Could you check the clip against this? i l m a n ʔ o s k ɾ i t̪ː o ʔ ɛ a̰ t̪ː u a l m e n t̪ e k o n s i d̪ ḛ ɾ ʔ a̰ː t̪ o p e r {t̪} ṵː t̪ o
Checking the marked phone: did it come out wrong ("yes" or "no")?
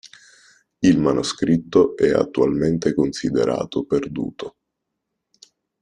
yes